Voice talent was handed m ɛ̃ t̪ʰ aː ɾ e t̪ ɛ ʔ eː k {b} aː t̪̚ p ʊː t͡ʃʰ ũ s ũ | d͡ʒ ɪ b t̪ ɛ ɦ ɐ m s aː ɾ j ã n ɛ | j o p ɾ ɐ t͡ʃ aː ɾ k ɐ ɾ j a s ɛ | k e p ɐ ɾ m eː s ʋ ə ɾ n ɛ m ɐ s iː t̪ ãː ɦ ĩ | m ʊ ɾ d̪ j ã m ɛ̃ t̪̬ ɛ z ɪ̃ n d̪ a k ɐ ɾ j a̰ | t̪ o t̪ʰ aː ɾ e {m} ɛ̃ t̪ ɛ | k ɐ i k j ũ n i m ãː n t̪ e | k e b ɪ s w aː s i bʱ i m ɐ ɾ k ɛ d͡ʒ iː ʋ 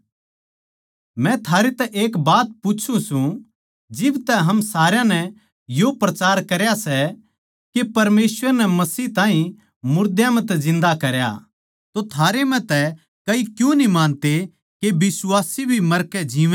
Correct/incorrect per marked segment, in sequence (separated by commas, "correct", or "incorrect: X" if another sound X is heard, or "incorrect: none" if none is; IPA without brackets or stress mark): correct, correct